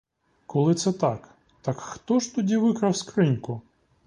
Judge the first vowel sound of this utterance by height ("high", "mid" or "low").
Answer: mid